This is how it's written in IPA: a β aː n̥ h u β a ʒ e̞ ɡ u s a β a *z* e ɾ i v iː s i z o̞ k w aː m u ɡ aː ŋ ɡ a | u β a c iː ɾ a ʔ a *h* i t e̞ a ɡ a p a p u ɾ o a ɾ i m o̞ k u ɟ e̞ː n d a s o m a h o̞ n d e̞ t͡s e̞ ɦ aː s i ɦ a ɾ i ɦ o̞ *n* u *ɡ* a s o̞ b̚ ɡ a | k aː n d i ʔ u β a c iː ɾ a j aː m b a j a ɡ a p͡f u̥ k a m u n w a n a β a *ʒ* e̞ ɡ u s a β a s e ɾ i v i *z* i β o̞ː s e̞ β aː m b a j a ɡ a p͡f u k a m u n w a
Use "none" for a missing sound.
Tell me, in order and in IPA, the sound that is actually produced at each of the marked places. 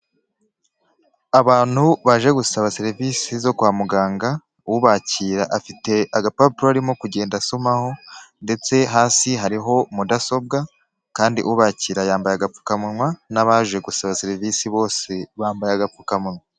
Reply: s, f, m, d, ʒ, s

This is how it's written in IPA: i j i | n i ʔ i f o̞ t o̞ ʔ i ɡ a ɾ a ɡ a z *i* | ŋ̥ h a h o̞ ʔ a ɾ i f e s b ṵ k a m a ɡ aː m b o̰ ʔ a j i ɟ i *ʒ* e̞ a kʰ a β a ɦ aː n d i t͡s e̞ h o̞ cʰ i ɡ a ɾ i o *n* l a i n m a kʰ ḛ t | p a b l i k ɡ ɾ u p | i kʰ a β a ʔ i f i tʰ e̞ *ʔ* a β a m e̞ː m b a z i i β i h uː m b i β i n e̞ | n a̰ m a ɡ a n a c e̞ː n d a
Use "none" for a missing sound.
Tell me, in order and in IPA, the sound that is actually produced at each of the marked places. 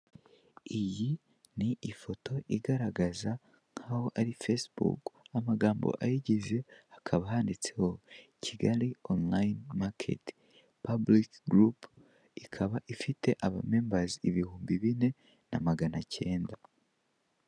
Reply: a, z, n, ʔ

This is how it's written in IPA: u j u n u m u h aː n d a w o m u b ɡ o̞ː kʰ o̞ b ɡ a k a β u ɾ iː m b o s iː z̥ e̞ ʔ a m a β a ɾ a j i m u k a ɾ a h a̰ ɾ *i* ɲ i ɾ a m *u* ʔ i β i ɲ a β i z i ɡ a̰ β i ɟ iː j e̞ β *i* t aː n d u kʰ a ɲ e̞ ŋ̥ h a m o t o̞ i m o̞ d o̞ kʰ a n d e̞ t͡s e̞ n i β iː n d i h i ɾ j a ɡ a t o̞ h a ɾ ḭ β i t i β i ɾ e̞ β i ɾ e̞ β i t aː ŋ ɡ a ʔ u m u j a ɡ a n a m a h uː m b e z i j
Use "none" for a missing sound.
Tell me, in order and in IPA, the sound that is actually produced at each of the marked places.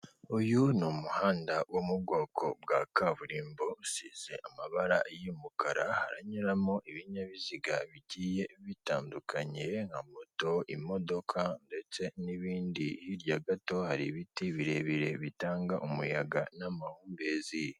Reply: a, o, i

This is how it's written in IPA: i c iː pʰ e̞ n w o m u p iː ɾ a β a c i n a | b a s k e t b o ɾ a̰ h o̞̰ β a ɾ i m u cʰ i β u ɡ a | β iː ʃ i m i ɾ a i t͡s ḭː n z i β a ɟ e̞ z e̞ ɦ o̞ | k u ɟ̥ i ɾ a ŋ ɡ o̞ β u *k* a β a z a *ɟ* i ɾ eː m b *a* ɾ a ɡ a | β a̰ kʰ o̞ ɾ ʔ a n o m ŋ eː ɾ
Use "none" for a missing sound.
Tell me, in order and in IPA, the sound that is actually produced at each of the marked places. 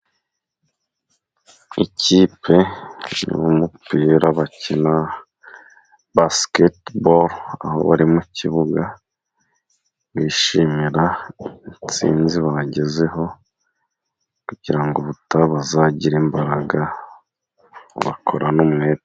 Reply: t, ɟ, a

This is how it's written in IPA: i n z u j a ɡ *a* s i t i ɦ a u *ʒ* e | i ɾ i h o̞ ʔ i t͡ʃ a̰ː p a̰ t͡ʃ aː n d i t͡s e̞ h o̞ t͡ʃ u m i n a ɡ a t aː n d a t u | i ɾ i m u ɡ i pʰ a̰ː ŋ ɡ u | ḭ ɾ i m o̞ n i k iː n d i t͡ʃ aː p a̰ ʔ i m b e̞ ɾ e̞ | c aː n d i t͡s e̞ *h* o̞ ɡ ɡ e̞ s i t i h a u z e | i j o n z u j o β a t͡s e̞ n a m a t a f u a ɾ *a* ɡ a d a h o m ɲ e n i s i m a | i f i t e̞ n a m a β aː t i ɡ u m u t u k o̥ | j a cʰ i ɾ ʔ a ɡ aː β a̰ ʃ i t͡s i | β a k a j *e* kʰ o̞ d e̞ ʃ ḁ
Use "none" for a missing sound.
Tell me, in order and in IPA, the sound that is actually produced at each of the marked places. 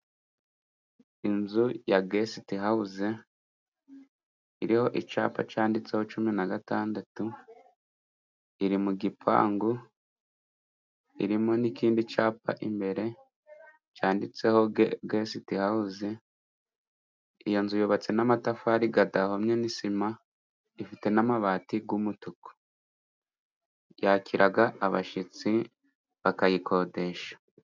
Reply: e, z, h, i, i

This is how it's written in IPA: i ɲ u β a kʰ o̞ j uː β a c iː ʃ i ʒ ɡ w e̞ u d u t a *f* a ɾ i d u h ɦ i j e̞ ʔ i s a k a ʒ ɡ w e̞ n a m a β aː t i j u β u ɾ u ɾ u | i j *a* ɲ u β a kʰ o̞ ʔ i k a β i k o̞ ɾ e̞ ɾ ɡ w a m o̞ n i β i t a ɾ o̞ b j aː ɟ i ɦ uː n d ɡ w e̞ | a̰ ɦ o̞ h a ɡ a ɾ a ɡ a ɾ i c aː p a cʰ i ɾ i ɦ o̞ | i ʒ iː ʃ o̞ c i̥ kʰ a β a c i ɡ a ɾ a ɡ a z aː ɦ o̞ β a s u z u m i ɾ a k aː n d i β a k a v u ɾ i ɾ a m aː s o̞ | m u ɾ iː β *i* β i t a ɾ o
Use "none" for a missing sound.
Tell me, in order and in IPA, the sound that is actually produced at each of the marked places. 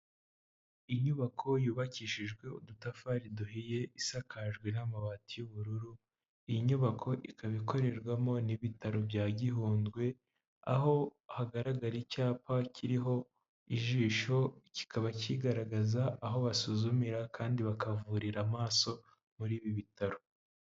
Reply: f, i, i

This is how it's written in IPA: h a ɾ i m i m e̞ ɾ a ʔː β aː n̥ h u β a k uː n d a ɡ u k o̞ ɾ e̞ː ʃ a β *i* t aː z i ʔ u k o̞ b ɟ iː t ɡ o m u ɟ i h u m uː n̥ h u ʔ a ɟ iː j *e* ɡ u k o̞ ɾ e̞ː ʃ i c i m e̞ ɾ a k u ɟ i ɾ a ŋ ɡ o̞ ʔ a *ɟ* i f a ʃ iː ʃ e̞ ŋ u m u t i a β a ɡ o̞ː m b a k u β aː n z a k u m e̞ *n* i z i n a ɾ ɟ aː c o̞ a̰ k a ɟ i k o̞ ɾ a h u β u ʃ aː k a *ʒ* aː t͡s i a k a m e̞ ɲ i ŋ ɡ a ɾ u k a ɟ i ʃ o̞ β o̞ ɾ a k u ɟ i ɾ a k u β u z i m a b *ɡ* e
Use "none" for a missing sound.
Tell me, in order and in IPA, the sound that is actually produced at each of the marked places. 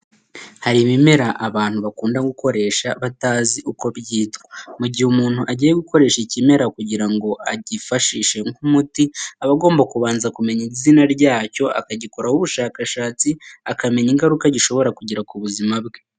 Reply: a, e, ɟ, ɲ, ʃ, ɡ

